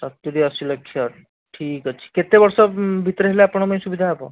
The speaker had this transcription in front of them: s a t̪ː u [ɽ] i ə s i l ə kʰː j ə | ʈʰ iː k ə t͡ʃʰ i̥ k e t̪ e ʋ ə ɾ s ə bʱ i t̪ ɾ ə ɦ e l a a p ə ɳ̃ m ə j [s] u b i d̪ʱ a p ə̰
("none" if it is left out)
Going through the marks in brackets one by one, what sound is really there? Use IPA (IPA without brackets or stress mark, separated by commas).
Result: ɾ, s